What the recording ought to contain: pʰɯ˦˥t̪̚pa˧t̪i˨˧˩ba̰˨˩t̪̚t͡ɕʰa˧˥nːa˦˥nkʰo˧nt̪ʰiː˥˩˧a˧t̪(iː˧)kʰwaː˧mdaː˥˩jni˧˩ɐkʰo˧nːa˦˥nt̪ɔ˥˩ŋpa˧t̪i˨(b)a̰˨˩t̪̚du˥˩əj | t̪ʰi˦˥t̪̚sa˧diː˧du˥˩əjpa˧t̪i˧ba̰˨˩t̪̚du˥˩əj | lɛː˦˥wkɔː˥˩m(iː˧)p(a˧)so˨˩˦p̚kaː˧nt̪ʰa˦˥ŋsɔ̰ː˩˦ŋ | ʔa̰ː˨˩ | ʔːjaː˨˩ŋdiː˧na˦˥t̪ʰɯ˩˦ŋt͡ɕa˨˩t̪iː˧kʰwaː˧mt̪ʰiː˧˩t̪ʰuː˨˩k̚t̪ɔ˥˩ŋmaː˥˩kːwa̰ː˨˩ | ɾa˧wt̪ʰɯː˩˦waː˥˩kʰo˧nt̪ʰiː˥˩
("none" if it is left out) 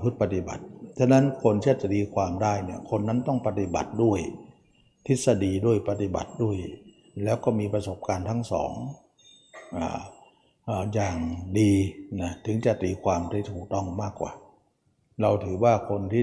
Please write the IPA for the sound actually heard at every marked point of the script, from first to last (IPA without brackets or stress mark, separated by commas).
iː˧, b, iː˧, a˧